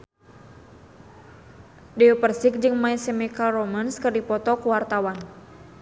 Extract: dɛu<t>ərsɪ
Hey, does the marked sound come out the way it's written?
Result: no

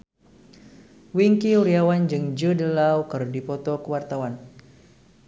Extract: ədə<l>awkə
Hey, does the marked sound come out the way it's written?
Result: yes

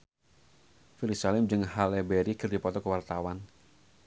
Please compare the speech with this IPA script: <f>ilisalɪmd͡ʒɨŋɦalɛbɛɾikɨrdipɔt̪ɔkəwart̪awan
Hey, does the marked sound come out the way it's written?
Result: yes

